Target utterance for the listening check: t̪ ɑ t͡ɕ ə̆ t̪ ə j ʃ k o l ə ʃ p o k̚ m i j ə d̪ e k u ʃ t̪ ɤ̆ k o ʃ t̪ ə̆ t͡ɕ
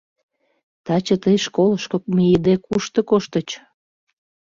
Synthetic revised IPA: t̪ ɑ t͡ɕ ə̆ t̪ ə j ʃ k o l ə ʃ k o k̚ m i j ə d̪ e k u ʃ t̪ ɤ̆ k o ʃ t̪ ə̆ t͡ɕ